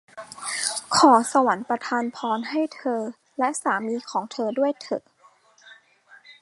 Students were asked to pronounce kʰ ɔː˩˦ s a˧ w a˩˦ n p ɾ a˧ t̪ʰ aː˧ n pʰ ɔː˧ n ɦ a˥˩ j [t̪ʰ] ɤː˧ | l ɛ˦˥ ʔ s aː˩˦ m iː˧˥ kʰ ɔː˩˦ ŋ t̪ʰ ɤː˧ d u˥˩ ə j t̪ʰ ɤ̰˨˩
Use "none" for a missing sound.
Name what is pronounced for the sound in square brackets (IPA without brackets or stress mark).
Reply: t̪ʰ